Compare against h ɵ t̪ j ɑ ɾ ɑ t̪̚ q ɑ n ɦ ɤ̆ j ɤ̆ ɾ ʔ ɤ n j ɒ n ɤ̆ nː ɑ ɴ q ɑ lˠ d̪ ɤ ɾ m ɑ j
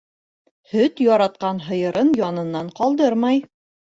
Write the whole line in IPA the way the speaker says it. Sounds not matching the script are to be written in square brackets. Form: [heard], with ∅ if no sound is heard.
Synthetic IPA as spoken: h ɵ t̪ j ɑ ɾ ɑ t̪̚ q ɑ n ɦ ɤ̆ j ɤ̆ ɾ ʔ ɤ n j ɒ n ɤ̆ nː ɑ ɴ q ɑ lˠ d̪ ɤ ɾ m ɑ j